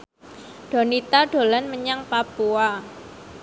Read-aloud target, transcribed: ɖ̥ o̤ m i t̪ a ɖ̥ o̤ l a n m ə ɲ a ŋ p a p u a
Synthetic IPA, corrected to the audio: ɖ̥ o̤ n i t̪ a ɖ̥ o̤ l a n m ə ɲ a ŋ p a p u a